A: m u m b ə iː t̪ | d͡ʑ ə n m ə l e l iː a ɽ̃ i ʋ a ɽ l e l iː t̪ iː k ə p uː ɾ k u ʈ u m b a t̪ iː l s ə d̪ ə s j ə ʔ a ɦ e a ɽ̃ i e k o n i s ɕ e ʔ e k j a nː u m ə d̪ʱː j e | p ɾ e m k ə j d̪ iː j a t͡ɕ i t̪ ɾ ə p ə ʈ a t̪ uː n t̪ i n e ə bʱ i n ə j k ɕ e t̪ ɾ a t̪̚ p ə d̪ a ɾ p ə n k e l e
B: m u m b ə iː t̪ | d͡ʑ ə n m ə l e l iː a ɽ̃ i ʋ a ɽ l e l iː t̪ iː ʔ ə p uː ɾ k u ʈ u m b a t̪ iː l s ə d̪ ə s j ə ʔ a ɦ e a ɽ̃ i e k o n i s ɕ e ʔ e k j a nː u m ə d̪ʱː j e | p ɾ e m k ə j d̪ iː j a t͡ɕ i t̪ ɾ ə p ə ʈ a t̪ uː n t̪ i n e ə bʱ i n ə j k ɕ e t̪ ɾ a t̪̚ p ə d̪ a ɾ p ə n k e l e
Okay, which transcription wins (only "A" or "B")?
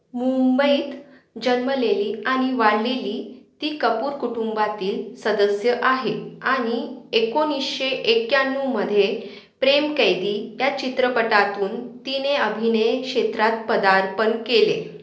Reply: A